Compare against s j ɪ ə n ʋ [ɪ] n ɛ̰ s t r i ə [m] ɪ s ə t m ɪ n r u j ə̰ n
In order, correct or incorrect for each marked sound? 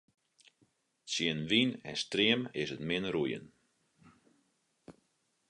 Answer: incorrect: i, correct

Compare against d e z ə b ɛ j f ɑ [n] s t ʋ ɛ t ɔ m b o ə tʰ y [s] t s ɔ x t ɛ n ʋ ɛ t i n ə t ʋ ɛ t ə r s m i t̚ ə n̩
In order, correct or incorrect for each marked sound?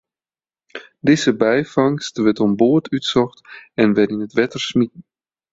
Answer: incorrect: ŋ, incorrect: none

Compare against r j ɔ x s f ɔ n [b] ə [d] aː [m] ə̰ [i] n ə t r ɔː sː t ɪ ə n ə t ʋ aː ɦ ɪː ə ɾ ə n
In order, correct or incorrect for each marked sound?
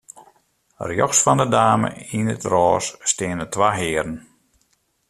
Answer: incorrect: d, correct, correct, correct

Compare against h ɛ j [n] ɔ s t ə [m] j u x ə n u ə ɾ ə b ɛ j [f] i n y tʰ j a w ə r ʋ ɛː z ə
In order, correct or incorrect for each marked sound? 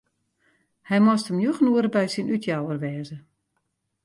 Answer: incorrect: m, correct, incorrect: s

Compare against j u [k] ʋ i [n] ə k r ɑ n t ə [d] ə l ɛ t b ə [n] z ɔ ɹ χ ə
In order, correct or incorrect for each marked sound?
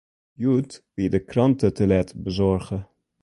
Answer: incorrect: t, incorrect: d, incorrect: t, incorrect: none

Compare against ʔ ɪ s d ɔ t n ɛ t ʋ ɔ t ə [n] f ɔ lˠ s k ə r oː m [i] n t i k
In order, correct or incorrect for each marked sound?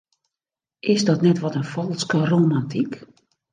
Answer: correct, incorrect: a

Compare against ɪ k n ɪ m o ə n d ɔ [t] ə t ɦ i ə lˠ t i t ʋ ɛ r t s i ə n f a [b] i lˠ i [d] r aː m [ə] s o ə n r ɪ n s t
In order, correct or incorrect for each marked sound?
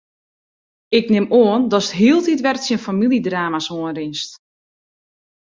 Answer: incorrect: s, incorrect: m, correct, incorrect: a

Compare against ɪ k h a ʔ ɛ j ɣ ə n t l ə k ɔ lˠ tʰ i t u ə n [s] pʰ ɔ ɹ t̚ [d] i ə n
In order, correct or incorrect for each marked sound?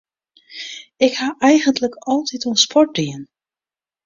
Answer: correct, correct

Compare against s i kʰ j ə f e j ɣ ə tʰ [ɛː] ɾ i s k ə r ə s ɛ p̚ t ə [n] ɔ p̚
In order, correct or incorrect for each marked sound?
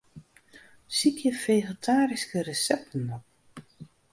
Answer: incorrect: aː, correct

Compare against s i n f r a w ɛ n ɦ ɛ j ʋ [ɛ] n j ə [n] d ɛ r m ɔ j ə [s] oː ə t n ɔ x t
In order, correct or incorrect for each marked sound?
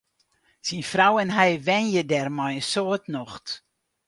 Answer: correct, incorrect: none, correct

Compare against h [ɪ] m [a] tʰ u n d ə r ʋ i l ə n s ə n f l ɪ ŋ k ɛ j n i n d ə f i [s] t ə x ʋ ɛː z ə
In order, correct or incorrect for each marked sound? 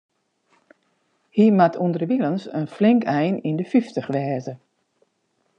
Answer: incorrect: i, correct, incorrect: f

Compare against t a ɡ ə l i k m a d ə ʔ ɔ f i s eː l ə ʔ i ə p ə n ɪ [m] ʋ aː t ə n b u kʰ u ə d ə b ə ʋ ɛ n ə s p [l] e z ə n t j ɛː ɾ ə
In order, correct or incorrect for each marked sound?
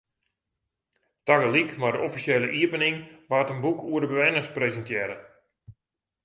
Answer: incorrect: ŋ, incorrect: r

